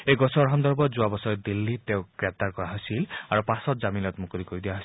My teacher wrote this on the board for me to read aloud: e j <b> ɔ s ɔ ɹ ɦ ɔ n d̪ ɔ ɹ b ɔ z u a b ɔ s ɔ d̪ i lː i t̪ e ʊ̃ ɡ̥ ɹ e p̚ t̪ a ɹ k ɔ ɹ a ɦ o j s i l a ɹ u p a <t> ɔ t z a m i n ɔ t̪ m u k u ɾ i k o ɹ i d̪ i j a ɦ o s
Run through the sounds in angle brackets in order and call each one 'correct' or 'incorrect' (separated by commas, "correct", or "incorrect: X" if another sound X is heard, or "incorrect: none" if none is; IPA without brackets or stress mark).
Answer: incorrect: ɡ, incorrect: s